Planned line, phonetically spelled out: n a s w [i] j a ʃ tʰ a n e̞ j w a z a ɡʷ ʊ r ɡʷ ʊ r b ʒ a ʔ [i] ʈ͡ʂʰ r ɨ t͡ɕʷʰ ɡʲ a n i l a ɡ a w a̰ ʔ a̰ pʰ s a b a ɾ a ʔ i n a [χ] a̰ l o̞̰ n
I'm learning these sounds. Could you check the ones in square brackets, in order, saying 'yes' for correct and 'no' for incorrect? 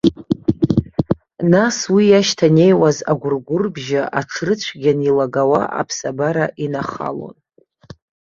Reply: yes, no, yes

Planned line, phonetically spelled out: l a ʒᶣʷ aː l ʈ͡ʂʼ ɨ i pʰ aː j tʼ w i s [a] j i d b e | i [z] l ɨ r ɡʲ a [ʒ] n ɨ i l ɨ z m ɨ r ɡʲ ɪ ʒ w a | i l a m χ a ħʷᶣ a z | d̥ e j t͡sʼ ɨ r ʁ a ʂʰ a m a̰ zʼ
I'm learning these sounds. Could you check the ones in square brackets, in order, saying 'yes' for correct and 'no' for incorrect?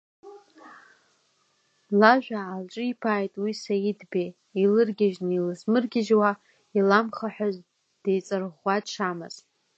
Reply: yes, no, yes

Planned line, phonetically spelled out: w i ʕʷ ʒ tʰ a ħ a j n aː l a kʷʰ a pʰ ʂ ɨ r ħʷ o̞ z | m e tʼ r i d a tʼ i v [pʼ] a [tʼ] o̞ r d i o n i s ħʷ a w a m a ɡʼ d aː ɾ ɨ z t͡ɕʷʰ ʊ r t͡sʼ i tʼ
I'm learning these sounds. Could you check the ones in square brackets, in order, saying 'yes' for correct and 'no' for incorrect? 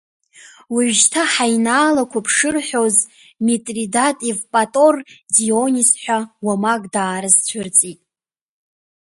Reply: yes, yes

